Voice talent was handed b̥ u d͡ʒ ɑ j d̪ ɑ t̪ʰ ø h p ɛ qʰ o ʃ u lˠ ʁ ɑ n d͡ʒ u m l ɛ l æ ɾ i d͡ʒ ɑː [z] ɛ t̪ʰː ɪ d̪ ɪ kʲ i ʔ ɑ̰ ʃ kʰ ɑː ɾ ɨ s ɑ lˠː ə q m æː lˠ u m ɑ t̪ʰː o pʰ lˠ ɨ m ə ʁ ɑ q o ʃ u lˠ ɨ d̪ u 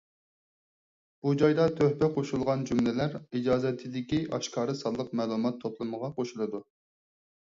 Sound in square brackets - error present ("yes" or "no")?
no